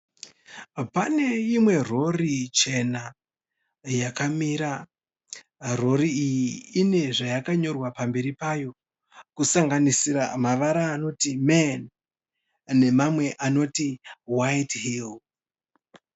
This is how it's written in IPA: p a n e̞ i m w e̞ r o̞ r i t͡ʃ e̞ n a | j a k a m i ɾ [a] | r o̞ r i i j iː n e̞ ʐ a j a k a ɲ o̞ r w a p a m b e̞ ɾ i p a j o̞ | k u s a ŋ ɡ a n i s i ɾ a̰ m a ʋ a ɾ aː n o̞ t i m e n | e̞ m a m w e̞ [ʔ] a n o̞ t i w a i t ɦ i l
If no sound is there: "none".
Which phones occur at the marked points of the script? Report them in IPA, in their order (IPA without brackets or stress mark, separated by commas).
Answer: a, ʔ